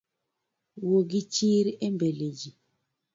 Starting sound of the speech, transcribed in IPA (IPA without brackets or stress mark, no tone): w